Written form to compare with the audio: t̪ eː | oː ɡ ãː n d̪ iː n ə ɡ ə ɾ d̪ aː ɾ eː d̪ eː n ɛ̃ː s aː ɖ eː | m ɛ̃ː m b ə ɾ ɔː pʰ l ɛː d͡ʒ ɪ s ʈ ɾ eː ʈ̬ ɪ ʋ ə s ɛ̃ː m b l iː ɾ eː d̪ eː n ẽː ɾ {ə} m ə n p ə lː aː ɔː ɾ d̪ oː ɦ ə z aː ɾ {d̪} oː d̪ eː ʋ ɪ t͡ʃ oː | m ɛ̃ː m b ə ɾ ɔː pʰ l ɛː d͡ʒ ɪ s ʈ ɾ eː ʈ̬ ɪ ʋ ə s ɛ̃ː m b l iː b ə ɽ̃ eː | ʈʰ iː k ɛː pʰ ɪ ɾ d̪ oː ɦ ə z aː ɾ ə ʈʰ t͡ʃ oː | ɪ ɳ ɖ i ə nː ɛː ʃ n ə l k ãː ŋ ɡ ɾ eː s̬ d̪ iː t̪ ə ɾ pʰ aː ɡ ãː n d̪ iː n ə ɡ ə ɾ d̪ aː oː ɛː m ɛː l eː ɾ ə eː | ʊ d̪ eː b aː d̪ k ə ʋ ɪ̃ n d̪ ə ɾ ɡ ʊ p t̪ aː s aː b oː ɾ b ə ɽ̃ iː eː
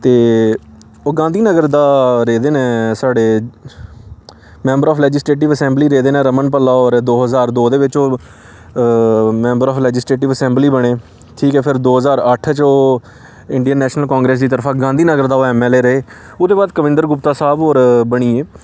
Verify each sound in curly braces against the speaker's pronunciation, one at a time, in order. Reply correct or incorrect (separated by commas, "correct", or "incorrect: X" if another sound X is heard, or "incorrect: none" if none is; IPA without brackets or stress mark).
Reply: correct, correct